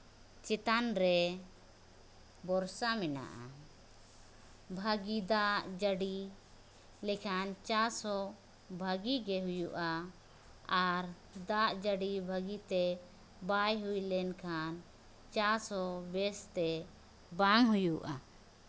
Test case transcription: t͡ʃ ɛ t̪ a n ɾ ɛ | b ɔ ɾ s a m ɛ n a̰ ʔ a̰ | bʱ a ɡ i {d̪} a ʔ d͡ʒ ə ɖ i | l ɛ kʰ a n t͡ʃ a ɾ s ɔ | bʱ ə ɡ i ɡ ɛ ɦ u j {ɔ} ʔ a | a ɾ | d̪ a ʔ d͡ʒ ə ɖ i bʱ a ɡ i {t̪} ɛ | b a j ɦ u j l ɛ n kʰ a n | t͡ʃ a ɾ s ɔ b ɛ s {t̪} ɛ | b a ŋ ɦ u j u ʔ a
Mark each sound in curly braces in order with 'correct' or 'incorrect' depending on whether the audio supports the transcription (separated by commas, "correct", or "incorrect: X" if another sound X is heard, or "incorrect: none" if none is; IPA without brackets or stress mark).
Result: correct, incorrect: u, correct, correct